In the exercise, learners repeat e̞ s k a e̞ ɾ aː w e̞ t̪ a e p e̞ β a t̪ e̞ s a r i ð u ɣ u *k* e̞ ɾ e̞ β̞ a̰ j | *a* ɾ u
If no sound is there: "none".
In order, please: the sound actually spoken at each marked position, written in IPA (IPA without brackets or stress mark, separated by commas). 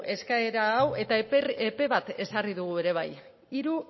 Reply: none, i